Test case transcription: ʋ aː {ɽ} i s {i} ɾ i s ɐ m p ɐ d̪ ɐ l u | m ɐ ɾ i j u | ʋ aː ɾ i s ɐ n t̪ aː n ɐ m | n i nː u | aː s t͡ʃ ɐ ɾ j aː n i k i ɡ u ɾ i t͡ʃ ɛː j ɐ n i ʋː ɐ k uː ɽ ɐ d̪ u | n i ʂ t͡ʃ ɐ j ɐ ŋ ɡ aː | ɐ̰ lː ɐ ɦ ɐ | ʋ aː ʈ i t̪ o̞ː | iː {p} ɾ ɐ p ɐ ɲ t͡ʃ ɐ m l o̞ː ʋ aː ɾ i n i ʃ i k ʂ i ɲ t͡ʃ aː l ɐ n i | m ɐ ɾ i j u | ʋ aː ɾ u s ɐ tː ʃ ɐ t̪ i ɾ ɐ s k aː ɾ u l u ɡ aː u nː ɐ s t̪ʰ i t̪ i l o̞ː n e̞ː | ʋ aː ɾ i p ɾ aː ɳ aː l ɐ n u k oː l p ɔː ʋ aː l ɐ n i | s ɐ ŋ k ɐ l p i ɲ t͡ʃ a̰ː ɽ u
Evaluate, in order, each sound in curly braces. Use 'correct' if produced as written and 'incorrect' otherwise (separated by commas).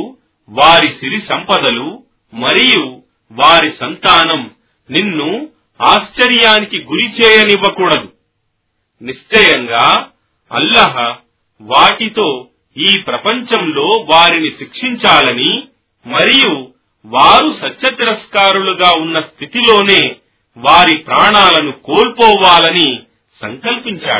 incorrect, correct, correct